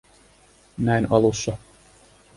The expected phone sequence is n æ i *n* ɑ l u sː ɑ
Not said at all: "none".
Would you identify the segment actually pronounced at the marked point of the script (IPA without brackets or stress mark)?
n